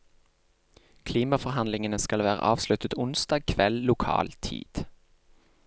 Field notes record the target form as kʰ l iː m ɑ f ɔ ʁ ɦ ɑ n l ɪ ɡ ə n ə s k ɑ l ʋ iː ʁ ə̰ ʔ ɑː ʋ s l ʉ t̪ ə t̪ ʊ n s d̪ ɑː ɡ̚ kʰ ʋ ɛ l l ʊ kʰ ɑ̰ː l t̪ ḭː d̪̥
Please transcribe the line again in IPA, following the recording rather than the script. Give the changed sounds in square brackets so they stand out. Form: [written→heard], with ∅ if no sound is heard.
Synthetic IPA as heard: kʰ l iː m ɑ f ɔ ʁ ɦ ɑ n l ɪ [ɡ→ŋ] ə n ə s k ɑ l ʋ [iː→æː] ʁ ə̰ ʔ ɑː ʋ s l ʉ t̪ ə t̪ ʊ n s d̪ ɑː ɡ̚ kʰ ʋ ɛ l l ʊ kʰ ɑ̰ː l [t̪→t̪ʰ] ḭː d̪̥